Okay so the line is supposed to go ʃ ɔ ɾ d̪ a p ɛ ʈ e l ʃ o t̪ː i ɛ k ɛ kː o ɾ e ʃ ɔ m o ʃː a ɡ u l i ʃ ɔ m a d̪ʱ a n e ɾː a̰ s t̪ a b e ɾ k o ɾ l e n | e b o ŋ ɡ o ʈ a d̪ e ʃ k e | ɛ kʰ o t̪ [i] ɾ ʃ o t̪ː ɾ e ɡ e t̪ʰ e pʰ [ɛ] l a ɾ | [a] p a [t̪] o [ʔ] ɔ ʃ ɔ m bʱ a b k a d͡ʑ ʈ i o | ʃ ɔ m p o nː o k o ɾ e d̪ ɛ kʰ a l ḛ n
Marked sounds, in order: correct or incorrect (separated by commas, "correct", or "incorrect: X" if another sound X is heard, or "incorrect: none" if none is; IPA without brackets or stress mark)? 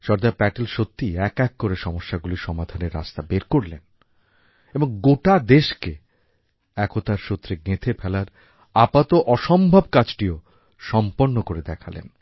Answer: incorrect: a, correct, correct, correct, correct